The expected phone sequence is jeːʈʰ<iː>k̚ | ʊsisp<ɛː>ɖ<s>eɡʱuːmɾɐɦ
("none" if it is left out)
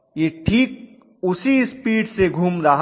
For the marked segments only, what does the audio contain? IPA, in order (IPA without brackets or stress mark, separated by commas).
iː, iː, s